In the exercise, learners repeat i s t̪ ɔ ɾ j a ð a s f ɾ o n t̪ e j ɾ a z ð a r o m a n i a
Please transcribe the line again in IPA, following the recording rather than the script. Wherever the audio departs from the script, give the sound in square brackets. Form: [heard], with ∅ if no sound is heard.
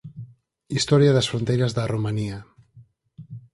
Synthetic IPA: i s t̪ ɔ ɾ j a ð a s f ɾ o n t̪ e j ɾ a z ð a r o m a n i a